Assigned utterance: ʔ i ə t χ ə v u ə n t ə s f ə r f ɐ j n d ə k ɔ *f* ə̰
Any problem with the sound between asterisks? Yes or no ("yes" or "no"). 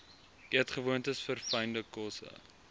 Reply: yes